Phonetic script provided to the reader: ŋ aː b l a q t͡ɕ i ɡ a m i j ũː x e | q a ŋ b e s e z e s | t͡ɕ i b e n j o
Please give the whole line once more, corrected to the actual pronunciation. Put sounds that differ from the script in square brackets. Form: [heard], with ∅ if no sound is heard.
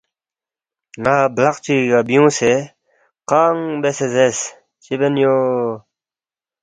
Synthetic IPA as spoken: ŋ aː b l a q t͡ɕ i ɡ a [b] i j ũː [s] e | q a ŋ b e s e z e s | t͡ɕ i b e n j o